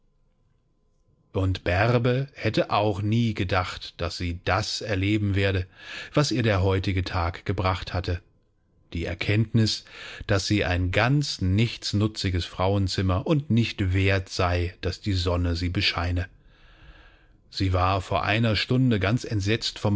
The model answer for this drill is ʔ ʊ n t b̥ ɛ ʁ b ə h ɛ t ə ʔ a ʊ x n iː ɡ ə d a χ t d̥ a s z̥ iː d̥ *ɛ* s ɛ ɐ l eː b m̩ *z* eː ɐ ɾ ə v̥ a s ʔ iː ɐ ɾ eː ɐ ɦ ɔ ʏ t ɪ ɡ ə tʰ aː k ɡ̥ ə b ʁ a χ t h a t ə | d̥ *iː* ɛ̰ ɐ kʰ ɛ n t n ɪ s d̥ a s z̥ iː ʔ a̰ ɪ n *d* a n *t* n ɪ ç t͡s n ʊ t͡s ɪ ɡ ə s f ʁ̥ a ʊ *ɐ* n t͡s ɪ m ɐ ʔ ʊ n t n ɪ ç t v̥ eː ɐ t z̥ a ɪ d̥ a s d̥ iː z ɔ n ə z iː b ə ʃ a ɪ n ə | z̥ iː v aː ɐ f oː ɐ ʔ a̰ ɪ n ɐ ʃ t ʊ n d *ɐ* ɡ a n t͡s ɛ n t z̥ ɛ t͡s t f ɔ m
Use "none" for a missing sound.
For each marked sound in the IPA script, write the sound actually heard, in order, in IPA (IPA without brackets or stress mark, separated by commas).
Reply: a, v, iː, ɡ, t͡s, ə, ə